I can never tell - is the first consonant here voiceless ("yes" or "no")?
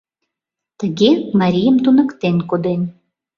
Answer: yes